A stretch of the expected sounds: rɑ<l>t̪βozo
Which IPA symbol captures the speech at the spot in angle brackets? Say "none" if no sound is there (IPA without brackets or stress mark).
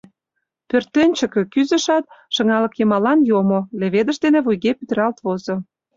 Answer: l